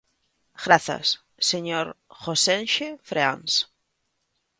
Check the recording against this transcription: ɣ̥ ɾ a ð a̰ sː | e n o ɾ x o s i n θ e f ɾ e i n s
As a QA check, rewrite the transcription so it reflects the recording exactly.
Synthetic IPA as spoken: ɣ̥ ɾ a θ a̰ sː | e ɲ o ɾ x o s e n ʃ e f ɾ e a n s